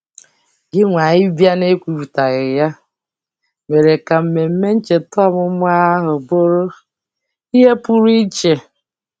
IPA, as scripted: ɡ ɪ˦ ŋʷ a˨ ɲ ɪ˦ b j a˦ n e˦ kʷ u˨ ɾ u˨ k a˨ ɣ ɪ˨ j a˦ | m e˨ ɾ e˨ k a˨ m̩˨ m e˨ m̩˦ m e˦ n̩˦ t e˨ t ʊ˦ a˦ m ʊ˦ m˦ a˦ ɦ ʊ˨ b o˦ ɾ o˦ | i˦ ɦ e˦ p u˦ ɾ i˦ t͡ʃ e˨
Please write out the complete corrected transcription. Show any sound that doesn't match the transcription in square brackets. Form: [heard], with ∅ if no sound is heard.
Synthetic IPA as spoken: ɡ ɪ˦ ŋʷ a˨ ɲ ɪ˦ b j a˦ n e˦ kʷ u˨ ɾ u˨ [t] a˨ ɣ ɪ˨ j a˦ | m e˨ ɾ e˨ k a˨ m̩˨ m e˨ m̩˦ m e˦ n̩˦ [t͡ʃ] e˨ t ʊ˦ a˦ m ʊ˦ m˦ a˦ ɦ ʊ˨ b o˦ ɾ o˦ | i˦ ɦ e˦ p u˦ ɾ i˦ t͡ʃ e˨